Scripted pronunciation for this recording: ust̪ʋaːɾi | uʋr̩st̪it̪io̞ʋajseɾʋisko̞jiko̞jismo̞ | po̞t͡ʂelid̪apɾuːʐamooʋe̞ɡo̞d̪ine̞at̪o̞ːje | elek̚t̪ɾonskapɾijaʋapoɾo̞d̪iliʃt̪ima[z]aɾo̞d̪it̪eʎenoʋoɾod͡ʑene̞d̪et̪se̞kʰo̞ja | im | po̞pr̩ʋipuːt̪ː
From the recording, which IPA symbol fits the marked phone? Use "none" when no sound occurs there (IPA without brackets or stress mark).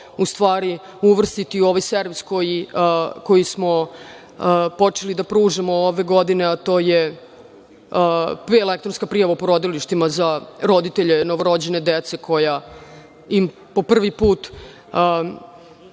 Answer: z